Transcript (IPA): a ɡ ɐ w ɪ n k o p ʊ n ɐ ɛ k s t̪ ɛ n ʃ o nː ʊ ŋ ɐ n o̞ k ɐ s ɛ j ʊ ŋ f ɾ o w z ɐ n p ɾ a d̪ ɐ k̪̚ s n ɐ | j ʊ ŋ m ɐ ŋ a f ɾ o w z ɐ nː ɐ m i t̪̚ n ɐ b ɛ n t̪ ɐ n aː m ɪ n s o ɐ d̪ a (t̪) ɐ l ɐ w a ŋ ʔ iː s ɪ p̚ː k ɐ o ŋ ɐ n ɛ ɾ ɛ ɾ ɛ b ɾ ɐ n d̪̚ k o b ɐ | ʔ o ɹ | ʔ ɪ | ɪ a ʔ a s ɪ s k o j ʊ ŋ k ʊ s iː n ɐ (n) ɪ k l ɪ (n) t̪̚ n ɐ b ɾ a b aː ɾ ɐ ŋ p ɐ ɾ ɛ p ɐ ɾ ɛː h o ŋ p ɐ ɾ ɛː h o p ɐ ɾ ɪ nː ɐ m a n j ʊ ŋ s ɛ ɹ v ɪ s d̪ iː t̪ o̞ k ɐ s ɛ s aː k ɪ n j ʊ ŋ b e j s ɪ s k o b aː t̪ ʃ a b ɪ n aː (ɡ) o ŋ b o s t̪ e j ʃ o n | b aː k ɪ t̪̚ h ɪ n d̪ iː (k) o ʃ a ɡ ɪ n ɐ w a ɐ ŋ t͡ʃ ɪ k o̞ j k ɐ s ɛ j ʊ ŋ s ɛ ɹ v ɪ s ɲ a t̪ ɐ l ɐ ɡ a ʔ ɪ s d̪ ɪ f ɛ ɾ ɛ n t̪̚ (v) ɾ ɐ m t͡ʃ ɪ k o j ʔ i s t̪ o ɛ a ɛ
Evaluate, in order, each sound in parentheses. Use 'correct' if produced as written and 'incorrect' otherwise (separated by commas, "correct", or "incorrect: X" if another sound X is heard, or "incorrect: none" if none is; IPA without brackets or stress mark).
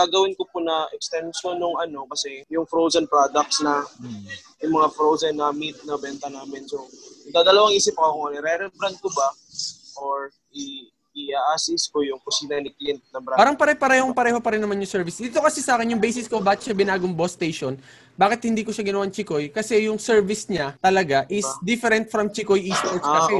incorrect: d̪, correct, correct, correct, correct, incorrect: f